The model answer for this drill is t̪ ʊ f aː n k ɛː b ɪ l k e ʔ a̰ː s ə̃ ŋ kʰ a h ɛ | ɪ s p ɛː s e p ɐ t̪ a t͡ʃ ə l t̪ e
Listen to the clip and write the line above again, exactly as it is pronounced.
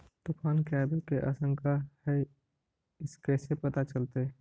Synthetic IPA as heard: t̪ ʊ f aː n k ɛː b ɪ l k e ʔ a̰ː s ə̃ ŋ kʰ a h ɛ | ɪ s k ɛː s e p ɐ t̪ a t͡ʃ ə l t̪ e

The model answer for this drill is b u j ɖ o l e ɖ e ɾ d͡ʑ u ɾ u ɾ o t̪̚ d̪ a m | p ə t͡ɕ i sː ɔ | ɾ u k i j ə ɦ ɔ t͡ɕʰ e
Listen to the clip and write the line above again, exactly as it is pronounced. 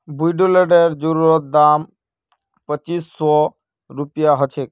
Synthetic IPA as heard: b u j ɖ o l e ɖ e ɾ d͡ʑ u ɾ u ɾ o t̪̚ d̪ a m | p ə t͡ɕ i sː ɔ | ɾ u p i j a ɦ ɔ t͡ɕʰ e

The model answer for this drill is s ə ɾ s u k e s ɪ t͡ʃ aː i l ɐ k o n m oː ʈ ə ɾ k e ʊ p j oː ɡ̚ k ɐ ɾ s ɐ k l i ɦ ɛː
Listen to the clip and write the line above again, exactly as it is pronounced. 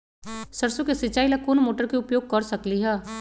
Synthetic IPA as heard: s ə ɾ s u k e s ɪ t͡ʃ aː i l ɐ k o n m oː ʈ ə ɾ k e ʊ p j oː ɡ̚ k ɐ ɾ s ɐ k l i ɦ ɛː

